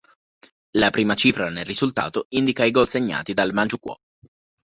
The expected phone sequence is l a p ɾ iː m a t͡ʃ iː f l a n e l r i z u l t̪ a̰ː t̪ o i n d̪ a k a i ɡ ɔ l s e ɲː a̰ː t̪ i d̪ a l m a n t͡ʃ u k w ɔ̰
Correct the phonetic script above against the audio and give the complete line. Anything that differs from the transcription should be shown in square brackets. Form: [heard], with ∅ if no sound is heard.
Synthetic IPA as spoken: l a p ɾ iː m a t͡ʃ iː f [ɾ] a n e l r i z u l t̪ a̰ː t̪ o i n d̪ [i] k a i ɡ ɔ l s e ɲː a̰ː t̪ i d̪ a l m a n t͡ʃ u k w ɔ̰